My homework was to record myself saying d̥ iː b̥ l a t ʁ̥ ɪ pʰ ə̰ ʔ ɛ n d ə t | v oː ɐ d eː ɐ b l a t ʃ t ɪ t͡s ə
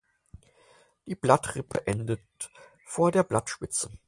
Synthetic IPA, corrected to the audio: d̥ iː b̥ l a t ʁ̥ ɪ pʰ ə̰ ʔ ɛ n d ə t | f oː ɐ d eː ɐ b l a t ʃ p ɪ t͡s ə